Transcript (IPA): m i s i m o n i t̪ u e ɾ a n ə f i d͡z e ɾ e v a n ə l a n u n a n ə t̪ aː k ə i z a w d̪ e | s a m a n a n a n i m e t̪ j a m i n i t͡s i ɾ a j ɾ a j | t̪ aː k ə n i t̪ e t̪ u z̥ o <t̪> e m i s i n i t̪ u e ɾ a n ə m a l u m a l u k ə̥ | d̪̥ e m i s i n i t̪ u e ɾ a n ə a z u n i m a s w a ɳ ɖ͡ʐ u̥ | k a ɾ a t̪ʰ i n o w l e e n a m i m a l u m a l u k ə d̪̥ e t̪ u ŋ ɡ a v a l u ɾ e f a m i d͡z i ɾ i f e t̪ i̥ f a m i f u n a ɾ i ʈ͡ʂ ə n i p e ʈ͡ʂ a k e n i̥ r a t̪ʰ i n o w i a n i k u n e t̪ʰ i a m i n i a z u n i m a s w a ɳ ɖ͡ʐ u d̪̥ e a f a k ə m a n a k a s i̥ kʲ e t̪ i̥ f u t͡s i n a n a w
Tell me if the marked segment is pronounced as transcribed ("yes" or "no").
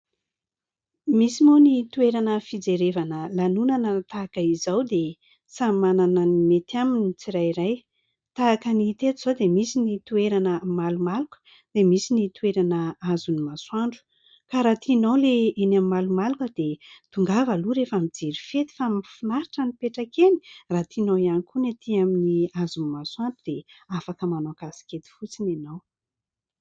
no